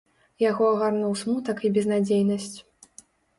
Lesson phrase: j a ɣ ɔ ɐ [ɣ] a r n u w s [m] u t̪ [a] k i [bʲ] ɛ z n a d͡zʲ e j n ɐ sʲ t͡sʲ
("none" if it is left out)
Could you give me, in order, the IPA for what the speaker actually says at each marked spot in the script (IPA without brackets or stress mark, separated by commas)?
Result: ɣ, m, ɐ, bʲ